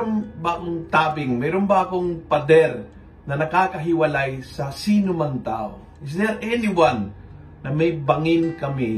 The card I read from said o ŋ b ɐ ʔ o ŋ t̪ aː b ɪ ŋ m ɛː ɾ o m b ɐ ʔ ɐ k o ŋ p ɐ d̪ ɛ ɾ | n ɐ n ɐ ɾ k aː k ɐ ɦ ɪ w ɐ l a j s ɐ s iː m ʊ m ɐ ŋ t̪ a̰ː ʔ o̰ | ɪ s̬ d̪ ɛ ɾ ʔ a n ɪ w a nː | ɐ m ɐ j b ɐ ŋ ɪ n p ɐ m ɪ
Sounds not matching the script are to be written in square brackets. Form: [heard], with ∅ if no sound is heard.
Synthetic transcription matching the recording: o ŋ b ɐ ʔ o ŋ t̪ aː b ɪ ŋ m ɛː ɾ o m b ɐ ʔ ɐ k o ŋ p ɐ d̪ ɛ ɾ | n ɐ n ɐ [∅] k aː k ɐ ɦ ɪ w ɐ l a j s ɐ s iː [n] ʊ m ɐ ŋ t̪ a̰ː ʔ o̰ | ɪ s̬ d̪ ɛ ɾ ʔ [ɛ] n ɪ w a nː | ɐ m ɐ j b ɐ ŋ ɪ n [k] ɐ m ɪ